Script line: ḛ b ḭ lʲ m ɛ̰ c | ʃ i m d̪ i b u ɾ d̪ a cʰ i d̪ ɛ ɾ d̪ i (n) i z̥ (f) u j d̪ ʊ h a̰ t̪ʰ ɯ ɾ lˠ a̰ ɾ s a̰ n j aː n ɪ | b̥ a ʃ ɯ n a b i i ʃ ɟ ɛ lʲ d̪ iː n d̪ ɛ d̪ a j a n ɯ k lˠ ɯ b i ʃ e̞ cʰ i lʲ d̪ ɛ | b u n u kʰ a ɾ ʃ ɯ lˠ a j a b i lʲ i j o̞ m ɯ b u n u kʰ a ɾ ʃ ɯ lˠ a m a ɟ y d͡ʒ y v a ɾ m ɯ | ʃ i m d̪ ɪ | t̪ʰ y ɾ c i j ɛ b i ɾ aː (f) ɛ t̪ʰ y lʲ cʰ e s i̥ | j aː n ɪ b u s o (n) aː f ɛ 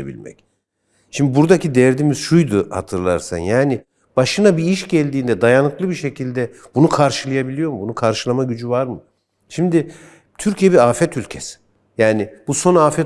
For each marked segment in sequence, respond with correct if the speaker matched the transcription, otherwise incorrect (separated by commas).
incorrect, incorrect, correct, correct